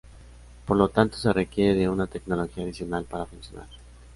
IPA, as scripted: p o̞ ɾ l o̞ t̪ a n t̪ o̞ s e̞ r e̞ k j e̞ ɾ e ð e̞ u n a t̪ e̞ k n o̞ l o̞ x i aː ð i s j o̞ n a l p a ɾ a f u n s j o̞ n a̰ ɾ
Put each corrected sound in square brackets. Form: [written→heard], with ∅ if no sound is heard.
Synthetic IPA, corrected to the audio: p o̞ ɾ l o̞ t̪ a n t̪ o̞ s e̞ r e̞ k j e̞ ɾ e ð e̞ u n a t̪ e̞ k n o̞ l o̞ x i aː ð i s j o̞ n a l p a ɾ a f u n s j o̞ n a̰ ɾ